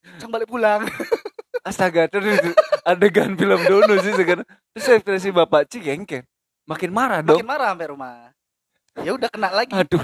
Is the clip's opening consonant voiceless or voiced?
voiceless